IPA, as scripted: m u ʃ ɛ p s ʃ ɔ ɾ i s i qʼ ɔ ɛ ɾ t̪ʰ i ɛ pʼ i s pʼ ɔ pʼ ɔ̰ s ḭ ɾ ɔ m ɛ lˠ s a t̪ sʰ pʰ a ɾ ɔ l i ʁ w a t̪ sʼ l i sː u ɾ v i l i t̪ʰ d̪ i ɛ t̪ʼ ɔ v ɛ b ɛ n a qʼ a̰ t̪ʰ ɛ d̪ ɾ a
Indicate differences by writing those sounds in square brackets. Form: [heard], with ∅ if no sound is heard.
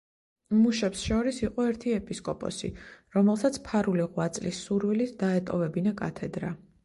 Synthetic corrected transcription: m u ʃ ɛ p s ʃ ɔ ɾ i s i qʼ ɔ ɛ ɾ t̪ʰ i ɛ pʼ i s [kʼ] ɔ pʼ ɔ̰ s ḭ ɾ ɔ m ɛ lˠ s a t̪ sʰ pʰ a ɾ [u] l i ʁ w a t̪ sʼ l i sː u ɾ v i l i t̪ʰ d̪ [a] ɛ t̪ʼ ɔ v ɛ b [i] n a [kʼ] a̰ t̪ʰ ɛ d̪ ɾ a

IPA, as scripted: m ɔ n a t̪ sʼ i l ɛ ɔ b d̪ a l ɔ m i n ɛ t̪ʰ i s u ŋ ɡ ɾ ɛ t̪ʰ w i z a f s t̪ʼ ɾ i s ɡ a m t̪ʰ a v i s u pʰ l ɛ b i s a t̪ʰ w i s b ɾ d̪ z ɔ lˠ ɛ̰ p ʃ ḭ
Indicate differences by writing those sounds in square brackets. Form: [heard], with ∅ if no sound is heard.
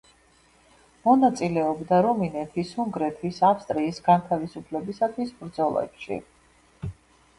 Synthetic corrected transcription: m ɔ n a t̪ sʼ i l ɛ ɔ b d̪ a [ɾ] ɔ m i n ɛ t̪ʰ i s u ŋ ɡ ɾ ɛ t̪ʰ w i [s] a f s t̪ʼ ɾ [iː] s ɡ a [n] t̪ʰ a v i s u pʰ l ɛ b i s a t̪ʰ w i s b ɾ d̪ z ɔ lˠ ɛ̰ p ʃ ḭ

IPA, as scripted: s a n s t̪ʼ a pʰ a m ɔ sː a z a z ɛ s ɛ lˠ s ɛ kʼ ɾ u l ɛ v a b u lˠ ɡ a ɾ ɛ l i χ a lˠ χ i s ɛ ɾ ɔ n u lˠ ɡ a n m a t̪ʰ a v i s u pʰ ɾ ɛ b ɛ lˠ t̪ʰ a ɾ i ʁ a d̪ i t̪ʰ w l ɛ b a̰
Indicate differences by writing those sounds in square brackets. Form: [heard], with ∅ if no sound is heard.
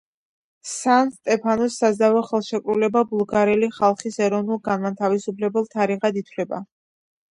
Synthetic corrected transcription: s a n s t̪ʼ [ɛ] pʰ a [n] ɔ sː a z a [v] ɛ [χ] ɛ lˠ [ʃ] ɛ kʼ ɾ u l ɛ [b] a b u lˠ ɡ a ɾ ɛ l i χ a lˠ χ i s ɛ ɾ ɔ n u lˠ ɡ a n m a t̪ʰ a v i s u pʰ [l] ɛ b ɛ lˠ t̪ʰ a ɾ i ʁ a d̪ i t̪ʰ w l ɛ b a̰

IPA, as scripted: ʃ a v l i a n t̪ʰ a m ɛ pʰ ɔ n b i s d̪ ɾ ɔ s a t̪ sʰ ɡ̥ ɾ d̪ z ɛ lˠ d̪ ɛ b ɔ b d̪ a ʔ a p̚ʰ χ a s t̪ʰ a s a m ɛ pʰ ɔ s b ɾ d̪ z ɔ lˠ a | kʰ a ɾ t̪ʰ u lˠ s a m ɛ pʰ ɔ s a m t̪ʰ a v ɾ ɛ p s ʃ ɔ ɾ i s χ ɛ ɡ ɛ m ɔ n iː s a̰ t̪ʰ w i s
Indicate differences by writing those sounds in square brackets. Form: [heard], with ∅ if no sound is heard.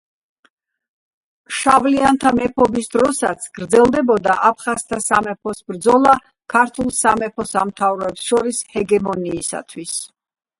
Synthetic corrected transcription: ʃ a v l i a n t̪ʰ a m ɛ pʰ ɔ [∅] b i s d̪ ɾ ɔ s a t̪ sʰ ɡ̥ ɾ d̪ z ɛ lˠ d̪ ɛ b ɔ [∅] d̪ a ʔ a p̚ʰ χ a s t̪ʰ a s a m ɛ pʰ ɔ s b ɾ d̪ z ɔ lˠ a | kʰ a ɾ t̪ʰ u lˠ s a m ɛ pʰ ɔ s a m t̪ʰ a v ɾ ɛ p s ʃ ɔ ɾ i s [h] ɛ ɡ ɛ m ɔ n iː s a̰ t̪ʰ w i s

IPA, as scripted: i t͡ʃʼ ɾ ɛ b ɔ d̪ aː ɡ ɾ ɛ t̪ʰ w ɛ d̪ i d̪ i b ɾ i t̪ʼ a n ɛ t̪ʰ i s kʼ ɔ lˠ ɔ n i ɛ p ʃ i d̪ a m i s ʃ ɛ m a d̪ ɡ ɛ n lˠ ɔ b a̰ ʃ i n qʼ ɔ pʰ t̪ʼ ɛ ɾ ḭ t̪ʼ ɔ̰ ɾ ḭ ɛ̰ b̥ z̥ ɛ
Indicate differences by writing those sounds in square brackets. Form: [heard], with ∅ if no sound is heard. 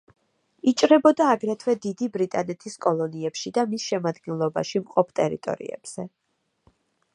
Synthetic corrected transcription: i t͡ʃʼ ɾ ɛ b ɔ d̪ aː ɡ ɾ ɛ t̪ʰ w ɛ d̪ i d̪ i b ɾ i t̪ʼ a n ɛ t̪ʰ i s kʼ ɔ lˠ ɔ n i ɛ p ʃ i d̪ a m i s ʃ ɛ m a d̪ ɡ ɛ n lˠ ɔ b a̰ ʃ i [m] qʼ ɔ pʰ t̪ʼ ɛ ɾ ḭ t̪ʼ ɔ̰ ɾ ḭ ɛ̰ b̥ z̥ ɛ

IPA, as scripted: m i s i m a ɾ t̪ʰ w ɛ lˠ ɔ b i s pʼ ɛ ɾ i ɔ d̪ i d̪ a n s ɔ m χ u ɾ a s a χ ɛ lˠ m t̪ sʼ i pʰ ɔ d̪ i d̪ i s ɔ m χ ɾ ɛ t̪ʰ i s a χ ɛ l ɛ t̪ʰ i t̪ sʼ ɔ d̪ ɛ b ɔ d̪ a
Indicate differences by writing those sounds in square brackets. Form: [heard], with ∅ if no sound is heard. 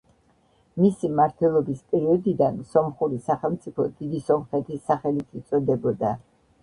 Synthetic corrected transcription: m i s i m a ɾ t̪ʰ w ɛ lˠ ɔ b i s pʼ ɛ ɾ i ɔ d̪ i d̪ a n s ɔ m χ u ɾ [i] s a χ ɛ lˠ m t̪ sʼ i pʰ ɔ d̪ i d̪ i s ɔ m χ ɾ ɛ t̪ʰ i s a χ ɛ l [i] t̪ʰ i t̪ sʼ ɔ d̪ ɛ b ɔ d̪ a

